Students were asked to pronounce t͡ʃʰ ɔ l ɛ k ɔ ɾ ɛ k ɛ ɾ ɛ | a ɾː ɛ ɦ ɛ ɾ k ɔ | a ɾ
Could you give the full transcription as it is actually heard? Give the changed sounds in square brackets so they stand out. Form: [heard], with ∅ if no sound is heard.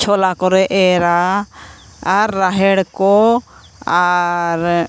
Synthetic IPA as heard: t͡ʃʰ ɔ l [a] k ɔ ɾ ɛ [ʔ] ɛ ɾ [a] | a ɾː [a] ɦ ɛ [ɽ] k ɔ | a ɾ